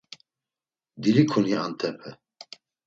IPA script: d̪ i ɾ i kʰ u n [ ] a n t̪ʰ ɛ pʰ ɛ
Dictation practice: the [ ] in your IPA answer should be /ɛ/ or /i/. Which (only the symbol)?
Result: i